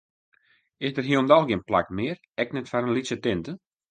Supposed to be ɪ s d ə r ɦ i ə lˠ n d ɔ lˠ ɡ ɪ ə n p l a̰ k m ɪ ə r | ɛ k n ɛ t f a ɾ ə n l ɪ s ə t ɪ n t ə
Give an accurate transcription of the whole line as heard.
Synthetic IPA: ɪ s d ə r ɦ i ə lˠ n d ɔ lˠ ɡ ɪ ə n p l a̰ k m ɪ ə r | ɛ k n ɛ t f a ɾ ə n l i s ə t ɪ n t ə